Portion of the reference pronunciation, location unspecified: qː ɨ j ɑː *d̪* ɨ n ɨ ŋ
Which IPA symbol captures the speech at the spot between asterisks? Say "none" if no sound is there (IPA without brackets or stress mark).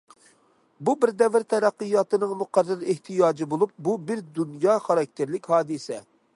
t̪